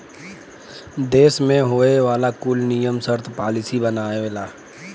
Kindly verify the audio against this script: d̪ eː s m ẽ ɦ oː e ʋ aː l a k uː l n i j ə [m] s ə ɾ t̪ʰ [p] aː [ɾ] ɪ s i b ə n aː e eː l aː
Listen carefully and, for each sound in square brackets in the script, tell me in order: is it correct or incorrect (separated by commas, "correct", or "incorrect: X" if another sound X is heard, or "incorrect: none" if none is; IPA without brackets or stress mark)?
correct, correct, incorrect: l